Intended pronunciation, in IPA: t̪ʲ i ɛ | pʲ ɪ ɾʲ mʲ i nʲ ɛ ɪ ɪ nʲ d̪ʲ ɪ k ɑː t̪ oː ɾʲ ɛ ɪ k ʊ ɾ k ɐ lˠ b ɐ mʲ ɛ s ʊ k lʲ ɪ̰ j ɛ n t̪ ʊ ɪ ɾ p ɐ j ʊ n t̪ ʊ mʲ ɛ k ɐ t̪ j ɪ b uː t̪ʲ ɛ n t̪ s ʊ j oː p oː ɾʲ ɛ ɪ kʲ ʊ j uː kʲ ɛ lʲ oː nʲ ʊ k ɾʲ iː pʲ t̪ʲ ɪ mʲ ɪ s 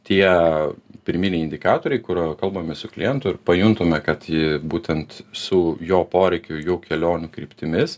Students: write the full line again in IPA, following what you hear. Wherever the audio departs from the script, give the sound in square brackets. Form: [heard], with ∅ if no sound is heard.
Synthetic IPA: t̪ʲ i ɛ | pʲ ɪ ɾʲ mʲ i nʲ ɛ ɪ ɪ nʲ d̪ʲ ɪ k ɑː t̪ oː ɾʲ ɛ ɪ k ʊ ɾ k ɐ lˠ b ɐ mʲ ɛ s ʊ k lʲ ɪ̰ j ɛ n t̪ ʊ ɪ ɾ p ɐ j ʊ n t̪ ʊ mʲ ɛ k ɐ t̪ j ɪ b uː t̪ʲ ɛ n t̪ s ʊ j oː p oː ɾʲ ɛ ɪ kʲ ʊ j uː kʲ ɛ lʲ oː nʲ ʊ k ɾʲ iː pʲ t̪ʲ ɪ mʲ ɪ s

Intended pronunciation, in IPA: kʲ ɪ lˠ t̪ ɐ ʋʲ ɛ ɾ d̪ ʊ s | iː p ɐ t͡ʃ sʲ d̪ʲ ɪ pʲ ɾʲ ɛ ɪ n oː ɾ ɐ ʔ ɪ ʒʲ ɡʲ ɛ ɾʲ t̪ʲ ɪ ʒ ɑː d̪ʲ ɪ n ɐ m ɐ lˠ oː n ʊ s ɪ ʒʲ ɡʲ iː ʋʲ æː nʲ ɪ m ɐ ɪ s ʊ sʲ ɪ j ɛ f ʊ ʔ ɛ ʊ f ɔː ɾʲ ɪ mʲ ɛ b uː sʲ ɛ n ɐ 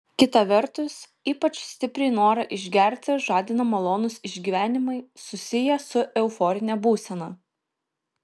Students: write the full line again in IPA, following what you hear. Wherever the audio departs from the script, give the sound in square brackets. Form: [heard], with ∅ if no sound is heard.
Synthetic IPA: kʲ ɪ [∅] t̪ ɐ ʋʲ ɛ ɾ [t̪] ʊ s | iː p ɐ t͡ʃ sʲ [t̪ʲ] ɪ pʲ ɾʲ ɛ ɪ n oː ɾ ɐ ʔ ɪ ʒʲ ɡʲ ɛ ɾʲ t̪ʲ ɪ ʒ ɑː d̪ʲ ɪ n ɐ m ɐ lˠ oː n ʊ s ɪ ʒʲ ɡʲ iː ʋʲ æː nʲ ɪ m ɐ ɪ s ʊ sʲ ɪ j ɛ [s] ʊ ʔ ɛ ʊ f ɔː ɾʲ ɪ [nʲ] ɛ b uː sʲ ɛ n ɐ

